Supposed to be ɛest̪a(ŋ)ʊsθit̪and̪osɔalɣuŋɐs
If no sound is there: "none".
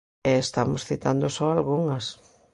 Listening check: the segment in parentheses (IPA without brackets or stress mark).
m